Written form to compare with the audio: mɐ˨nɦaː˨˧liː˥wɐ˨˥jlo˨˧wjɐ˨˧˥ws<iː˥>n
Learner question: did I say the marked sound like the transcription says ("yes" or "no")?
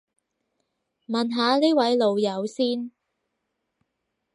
yes